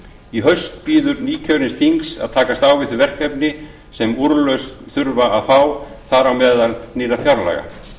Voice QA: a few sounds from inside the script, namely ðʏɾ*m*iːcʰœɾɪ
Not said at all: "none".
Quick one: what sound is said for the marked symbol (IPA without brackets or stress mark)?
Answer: n